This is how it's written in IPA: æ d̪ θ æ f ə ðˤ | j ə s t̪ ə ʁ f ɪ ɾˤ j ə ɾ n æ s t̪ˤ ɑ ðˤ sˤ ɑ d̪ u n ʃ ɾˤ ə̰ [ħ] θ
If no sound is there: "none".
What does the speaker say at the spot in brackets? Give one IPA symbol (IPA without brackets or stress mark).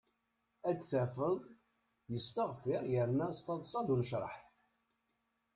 ħ